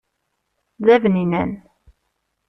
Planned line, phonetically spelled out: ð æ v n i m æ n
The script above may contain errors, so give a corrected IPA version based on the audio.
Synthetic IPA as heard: ð æ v n i n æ n